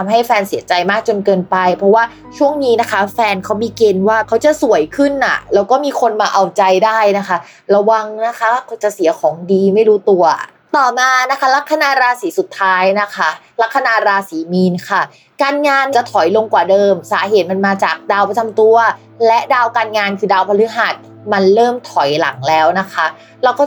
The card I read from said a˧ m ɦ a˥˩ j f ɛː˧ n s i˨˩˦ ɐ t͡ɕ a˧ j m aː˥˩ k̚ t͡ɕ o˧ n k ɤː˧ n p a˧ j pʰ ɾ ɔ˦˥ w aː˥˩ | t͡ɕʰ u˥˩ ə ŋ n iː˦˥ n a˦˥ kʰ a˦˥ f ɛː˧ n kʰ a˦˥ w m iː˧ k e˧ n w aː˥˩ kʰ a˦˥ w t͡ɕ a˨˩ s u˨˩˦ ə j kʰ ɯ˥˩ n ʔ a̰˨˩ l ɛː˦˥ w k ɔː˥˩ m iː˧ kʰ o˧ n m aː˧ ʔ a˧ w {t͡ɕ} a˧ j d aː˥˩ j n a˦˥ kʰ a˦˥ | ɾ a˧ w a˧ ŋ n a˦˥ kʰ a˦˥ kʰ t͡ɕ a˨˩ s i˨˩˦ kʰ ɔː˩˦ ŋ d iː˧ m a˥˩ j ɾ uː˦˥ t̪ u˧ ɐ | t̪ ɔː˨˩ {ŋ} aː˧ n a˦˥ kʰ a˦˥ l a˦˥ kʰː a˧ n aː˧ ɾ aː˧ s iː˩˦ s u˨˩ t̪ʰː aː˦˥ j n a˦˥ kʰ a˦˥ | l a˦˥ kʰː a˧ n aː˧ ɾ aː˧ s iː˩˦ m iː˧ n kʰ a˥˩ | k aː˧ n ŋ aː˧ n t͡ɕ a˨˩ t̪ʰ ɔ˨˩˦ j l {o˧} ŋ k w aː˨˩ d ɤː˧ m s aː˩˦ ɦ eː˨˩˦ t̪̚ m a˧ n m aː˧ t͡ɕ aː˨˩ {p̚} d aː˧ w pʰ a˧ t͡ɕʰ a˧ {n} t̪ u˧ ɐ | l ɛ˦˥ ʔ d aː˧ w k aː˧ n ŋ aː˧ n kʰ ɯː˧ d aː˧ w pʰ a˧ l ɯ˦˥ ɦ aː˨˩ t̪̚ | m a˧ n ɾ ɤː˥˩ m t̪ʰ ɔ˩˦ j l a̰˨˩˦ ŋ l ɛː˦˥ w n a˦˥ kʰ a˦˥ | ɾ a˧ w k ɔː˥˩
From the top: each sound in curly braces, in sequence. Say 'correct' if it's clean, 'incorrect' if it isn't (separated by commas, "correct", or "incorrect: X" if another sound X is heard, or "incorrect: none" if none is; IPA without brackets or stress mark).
correct, incorrect: m, correct, incorrect: k̚, incorrect: m